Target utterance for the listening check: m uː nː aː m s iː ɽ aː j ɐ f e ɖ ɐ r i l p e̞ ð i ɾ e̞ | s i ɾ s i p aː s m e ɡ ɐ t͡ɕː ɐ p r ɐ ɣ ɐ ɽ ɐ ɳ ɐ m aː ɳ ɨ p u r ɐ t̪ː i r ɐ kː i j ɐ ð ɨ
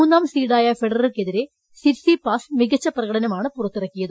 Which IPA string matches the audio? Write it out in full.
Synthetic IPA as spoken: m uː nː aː m s iː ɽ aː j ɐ f e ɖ ɐ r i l k e̞ ð i ɾ e̞ | s i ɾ s i p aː s m i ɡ ɐ t͡ɕː ɐ p r ɐ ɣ ɐ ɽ ɐ n ɐ m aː ɳ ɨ p u r ɐ t̪ː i r ɐ kː i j ɐ ð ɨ